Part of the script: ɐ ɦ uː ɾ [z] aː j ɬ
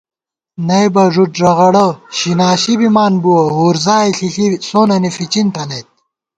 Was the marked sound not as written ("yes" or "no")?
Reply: no